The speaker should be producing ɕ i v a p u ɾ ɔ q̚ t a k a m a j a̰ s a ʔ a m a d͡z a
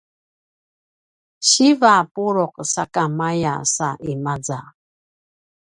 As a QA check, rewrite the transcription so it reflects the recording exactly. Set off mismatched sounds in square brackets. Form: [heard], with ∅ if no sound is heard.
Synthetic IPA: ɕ i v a p u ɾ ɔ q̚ [s] a k a m a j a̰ s a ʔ [i] m a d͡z a